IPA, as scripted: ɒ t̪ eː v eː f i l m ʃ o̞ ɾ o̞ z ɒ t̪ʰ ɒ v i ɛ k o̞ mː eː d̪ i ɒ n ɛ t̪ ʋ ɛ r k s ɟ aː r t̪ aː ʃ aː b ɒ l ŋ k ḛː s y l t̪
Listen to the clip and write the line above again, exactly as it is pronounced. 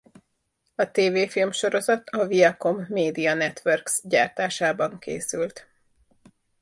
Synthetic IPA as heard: ɒ t̪ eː v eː f i l m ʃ o̞ ɾ o̞ z ɒ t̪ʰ ɒ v i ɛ k o̞ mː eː d̪ i ɒ n ɛ t̪ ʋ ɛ r k s ɟ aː r t̪ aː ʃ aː b ɒ ŋ k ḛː s y l t̪